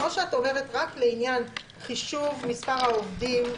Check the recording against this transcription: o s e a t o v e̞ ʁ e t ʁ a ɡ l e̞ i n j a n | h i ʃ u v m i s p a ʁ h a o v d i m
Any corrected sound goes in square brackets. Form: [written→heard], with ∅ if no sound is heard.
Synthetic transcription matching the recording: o [s→ʃ] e a t o v e̞ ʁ e t ʁ a [ɡ→k] l e̞ i n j a n | [h→χ] i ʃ u v m i s p a ʁ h a o v d i m